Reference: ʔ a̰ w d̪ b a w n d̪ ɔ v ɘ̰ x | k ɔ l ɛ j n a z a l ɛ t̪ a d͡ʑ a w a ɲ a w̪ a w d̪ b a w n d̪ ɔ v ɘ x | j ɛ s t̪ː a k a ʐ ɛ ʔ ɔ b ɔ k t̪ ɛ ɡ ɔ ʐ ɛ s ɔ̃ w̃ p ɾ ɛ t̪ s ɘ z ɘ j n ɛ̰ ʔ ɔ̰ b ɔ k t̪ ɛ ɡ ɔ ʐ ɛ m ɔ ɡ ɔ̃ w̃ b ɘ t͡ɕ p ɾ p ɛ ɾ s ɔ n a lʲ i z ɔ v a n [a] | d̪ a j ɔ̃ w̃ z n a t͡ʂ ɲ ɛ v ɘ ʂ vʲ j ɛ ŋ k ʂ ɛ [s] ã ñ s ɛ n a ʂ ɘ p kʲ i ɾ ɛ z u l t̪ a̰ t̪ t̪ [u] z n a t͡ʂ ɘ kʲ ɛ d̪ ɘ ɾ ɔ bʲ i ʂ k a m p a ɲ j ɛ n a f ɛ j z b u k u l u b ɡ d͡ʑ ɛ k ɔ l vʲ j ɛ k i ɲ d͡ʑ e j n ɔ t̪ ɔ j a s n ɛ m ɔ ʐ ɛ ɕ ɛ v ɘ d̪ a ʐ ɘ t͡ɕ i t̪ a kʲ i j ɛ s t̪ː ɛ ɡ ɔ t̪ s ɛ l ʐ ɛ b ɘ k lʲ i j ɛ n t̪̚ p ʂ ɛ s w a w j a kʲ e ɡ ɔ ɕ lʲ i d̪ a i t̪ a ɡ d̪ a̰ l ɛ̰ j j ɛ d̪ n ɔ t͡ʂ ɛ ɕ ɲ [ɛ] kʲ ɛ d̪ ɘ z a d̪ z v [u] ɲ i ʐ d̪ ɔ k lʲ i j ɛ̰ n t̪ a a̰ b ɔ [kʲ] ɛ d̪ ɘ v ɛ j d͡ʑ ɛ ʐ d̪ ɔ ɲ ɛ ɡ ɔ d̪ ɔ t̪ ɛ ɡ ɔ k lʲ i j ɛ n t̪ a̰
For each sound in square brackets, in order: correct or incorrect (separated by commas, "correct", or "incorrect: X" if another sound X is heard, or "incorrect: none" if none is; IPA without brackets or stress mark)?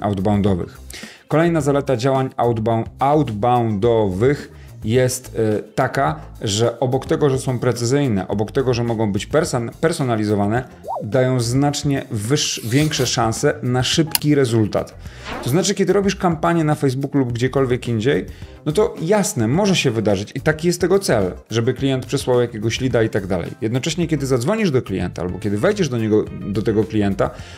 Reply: incorrect: ɛ, incorrect: ʂ, incorrect: ɔ, correct, incorrect: ɔ, correct